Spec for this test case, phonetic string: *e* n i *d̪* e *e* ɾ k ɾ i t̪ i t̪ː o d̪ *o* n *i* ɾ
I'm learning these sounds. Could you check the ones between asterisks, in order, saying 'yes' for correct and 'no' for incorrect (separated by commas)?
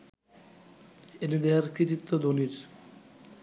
yes, yes, no, yes, yes